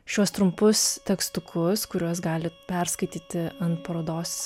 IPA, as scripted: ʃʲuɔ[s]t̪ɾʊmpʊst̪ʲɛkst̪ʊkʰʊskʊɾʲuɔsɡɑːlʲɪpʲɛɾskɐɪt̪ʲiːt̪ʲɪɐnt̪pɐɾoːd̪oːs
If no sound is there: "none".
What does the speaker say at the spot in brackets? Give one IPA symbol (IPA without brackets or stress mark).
s